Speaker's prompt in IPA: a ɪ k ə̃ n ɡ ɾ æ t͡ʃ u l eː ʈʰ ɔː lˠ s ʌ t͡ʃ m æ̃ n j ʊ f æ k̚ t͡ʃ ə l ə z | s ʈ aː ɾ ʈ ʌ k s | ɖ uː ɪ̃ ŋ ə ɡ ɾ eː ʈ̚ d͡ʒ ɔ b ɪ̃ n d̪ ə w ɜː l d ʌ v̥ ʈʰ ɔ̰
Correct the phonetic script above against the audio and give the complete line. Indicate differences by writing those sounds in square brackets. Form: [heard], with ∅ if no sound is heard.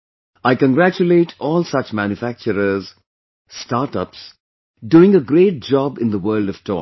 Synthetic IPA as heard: a ɪ k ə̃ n ɡ ɾ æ t͡ʃ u l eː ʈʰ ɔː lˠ s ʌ t͡ʃ m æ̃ n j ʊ f æ k̚ t͡ʃ ə [ɾ] ə z | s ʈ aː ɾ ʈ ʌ [p] s | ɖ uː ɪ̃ ŋ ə ɡ ɾ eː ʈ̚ d͡ʒ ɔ b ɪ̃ n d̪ ə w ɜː l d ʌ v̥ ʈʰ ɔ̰